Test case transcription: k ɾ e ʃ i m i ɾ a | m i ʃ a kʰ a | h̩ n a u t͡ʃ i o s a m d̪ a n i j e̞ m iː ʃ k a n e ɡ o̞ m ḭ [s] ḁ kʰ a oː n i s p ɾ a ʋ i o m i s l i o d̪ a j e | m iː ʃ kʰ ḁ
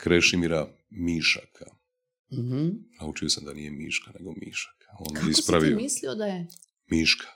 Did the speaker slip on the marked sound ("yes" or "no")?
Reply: yes